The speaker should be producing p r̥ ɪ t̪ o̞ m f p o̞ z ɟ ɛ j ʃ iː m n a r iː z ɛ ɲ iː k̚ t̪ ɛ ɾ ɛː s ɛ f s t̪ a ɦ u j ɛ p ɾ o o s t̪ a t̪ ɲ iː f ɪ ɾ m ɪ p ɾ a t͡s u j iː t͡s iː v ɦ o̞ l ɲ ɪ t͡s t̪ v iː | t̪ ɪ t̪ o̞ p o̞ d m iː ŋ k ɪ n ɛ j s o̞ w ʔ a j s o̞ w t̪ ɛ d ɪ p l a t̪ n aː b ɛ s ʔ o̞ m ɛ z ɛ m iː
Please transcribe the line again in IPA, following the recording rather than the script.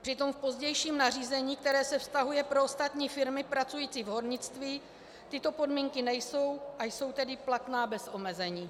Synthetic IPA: p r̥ ɪ t̪ o̞ m f p o̞ z ɟ ɛ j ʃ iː m n a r iː z ɛ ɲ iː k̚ t̪ ɛ ɾ ɛː s ɛ f s t̪ a ɦ u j ɛ p ɾ o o s t̪ a t̪ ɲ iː f ɪ ɾ m ɪ p ɾ a t͡s u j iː t͡s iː v ɦ o̞ ɾ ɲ ɪ t͡s t̪ v iː | t̪ ɪ t̪ o̞ p o̞ d m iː ŋ k ɪ n ɛ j s o̞ w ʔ a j s o̞ w t̪ ɛ d ɪ p l a t̪ n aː b ɛ s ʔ o̞ m ɛ z ɛ ɲ iː